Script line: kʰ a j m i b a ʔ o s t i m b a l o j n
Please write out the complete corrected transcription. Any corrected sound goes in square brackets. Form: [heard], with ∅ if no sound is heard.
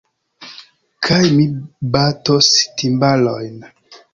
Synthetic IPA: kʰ a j m i b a [t] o s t i m b a l o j n

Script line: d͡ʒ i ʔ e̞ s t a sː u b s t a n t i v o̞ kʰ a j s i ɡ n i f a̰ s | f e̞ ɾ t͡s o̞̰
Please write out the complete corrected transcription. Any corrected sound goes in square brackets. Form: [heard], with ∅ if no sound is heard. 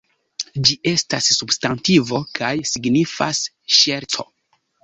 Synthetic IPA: d͡ʒ i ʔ e̞ s t a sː u b s t a n t i v o̞ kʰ a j s i ɡ n i f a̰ s | [ʃ] e̞ ɾ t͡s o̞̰

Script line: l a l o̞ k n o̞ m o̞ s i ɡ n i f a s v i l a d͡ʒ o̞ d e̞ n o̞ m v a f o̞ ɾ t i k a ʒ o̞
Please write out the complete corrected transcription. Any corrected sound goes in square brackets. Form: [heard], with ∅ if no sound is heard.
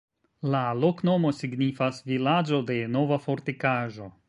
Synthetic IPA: l a l o̞ k n o̞ m o̞ s i ɡ n i f a s v i l a d͡ʒ o̞ d e̞ n o̞ [∅] v a f o̞ ɾ t i k a ʒ o̞

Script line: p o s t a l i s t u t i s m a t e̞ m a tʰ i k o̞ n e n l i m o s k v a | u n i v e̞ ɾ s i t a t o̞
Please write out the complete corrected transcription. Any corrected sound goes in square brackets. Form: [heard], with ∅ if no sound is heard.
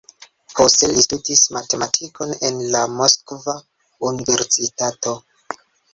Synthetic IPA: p o s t [e] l i s t u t i s m a t e̞ m a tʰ i k o̞ n e n l [a] m o s k v a | u n i v e̞ ɾ s i t a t o̞

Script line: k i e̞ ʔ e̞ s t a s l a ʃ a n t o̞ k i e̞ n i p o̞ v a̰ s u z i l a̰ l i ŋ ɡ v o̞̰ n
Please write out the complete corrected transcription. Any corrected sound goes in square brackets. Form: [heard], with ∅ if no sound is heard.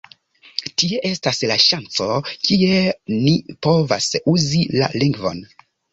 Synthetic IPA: [t] i e̞ ʔ e̞ s t a s l a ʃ a n [t͡s] o̞ k i e̞ n i p o̞ v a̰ s u z i l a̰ l i ŋ ɡ v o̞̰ n

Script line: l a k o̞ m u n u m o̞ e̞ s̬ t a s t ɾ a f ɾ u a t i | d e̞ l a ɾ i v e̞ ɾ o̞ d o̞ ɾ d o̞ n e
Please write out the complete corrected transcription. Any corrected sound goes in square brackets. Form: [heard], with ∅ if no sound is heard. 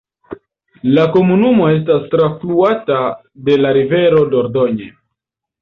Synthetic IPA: l a k o̞ m u n u m o̞ e̞ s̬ t a s t ɾ a f [l] u a t [a] | d e̞ l a ɾ i v e̞ ɾ o̞ d o̞ ɾ d o̞ [ɲ] e

